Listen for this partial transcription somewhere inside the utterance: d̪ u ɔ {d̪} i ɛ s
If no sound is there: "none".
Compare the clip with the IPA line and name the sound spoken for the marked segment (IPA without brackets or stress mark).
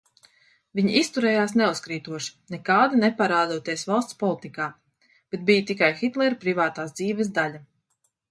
t̪